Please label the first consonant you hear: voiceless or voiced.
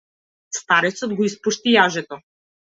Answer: voiceless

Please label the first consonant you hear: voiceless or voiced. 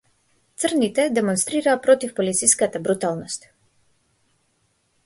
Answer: voiceless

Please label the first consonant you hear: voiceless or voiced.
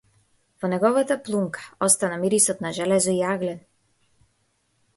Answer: voiced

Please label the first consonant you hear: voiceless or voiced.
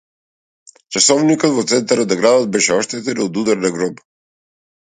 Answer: voiceless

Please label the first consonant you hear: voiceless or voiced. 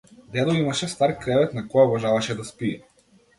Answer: voiced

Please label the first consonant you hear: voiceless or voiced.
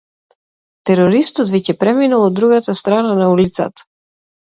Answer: voiceless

